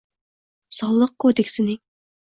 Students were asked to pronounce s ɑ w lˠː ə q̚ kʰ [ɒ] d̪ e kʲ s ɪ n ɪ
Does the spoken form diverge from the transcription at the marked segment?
yes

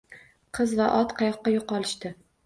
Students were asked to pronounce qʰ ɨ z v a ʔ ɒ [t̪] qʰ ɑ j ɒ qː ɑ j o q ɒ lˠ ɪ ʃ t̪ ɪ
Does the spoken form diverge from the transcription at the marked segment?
no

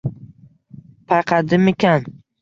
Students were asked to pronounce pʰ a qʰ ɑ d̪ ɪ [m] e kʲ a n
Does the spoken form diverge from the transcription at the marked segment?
no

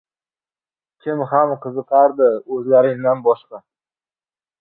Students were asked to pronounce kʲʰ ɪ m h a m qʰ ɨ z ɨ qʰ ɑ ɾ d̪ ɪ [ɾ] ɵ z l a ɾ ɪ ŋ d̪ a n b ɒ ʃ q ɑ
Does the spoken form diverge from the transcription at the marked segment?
yes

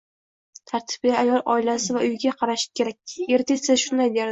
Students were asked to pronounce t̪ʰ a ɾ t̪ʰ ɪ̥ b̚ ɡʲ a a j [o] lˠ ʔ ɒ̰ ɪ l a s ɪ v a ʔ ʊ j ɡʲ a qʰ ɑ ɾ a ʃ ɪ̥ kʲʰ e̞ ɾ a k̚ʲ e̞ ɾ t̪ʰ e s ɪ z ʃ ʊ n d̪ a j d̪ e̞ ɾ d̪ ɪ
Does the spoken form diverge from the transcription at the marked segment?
yes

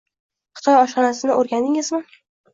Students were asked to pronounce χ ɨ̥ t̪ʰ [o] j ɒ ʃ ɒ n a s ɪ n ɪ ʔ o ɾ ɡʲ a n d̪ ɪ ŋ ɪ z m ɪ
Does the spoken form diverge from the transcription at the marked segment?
yes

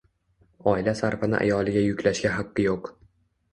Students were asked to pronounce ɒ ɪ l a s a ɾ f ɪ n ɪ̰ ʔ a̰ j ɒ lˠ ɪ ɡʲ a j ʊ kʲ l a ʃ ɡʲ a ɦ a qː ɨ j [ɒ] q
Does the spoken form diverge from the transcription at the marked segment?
yes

